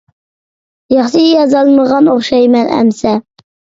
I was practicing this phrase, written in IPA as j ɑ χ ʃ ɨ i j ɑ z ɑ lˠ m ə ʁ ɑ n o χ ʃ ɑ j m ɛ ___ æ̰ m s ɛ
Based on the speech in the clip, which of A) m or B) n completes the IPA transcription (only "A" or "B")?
B